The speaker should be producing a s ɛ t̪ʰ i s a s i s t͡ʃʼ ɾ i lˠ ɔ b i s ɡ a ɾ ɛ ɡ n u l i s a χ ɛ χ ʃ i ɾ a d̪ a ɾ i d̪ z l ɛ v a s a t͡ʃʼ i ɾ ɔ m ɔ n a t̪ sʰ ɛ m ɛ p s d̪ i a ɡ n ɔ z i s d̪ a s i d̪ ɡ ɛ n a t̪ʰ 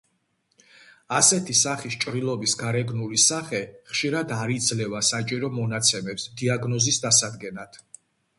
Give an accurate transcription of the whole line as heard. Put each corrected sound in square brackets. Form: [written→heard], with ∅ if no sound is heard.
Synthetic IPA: a s ɛ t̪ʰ i s a [s→χ] i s t͡ʃʼ ɾ i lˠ ɔ b i s ɡ a ɾ ɛ ɡ n u l i s a χ ɛ χ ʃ i ɾ a d̪ a ɾ i d̪ z l ɛ v a s a t͡ʃʼ i ɾ ɔ m ɔ n a t̪ sʰ ɛ m ɛ p s d̪ i a ɡ n ɔ z i s d̪ a s [i→a] d̪ ɡ ɛ n a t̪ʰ